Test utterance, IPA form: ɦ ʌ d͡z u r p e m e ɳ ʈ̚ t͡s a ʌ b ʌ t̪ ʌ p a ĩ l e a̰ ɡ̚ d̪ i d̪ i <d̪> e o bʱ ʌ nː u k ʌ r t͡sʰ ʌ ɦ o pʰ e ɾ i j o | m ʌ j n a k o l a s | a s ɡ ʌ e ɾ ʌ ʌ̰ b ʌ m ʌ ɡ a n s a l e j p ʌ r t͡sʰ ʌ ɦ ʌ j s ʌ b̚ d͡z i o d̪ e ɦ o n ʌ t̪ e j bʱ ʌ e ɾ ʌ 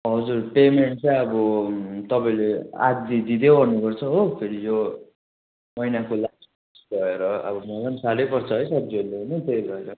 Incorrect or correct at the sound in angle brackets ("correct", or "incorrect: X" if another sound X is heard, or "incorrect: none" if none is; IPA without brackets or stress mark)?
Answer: correct